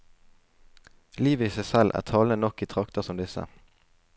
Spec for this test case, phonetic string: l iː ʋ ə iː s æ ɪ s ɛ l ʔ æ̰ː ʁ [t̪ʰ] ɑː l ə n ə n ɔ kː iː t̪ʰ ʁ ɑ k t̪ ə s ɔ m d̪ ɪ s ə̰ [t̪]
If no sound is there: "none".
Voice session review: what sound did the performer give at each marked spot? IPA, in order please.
t̪ʰ, none

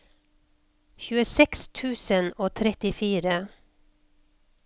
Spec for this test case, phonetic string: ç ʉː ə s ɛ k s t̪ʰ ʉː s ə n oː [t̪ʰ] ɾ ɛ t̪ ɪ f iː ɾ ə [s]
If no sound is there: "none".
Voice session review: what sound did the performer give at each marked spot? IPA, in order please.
t̪ʰ, none

